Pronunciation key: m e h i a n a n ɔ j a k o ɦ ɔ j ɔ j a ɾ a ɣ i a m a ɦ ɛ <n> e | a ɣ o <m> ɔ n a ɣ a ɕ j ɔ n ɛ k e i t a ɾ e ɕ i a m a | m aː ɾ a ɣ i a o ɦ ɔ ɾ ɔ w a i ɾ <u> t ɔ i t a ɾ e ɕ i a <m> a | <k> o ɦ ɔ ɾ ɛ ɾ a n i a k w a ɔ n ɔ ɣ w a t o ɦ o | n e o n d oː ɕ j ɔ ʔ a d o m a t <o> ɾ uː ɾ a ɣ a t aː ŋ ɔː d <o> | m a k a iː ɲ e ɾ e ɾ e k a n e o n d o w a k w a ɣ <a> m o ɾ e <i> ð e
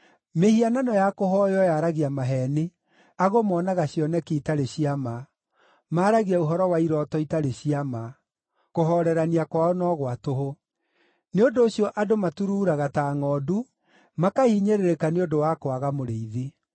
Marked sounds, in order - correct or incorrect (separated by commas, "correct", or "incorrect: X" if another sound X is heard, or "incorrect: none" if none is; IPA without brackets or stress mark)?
correct, correct, incorrect: ɔ, correct, correct, incorrect: u, incorrect: u, correct, correct